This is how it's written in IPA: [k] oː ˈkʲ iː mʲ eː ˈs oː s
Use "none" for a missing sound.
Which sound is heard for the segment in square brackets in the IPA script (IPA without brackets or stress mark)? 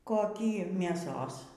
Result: k